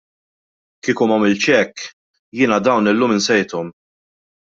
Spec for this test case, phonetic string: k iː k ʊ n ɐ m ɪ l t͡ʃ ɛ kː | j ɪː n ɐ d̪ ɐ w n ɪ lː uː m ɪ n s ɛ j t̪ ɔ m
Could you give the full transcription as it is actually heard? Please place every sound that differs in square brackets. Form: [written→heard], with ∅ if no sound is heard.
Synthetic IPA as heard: k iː k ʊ [n→m] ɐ m ɪ l t͡ʃ ɛ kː | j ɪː n ɐ d̪ ɐ w n ɪ lː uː m ɪ n s ɛ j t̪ ɔ m